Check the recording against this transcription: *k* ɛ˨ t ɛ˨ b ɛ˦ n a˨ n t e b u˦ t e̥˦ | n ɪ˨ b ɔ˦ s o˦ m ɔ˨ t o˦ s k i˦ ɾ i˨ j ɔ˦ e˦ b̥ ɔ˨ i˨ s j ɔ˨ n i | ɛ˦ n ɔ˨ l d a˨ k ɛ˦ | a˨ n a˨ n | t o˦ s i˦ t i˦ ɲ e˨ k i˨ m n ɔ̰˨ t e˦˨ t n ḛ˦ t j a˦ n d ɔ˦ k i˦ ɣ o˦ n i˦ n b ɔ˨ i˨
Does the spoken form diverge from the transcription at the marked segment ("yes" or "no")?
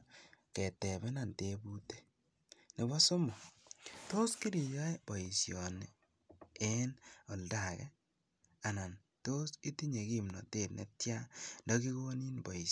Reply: no